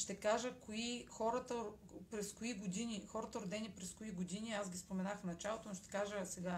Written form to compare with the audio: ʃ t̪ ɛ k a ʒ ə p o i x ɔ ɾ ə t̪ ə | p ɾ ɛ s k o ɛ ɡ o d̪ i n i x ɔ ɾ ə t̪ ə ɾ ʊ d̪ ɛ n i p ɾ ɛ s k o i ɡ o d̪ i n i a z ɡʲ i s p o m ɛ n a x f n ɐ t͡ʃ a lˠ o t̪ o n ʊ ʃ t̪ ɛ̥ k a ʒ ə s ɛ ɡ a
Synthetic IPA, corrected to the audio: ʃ t̪ ɛ k a ʒ ə k o i x ɔ ɾ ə t̪ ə | p ɾ ɛ s k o i ɡ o d̪ i n i x ɔ ɾ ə t̪ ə ɾ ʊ d̪ ɛ n i p ɾ ɛ s k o i ɡ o d̪ i n i a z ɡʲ i s p o m ɛ n a x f n ɐ t͡ʃ a lˠ o t̪ o n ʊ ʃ t̪ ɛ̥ k a ʒ ə s ɛ ɡ a